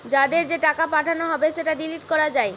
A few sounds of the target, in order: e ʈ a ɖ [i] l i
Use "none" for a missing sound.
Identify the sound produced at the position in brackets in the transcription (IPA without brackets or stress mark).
i